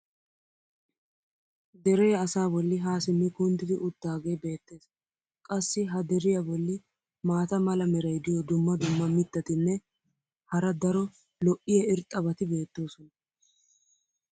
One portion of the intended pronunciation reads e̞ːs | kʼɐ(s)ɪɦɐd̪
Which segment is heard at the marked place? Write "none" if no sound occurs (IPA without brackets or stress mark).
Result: sː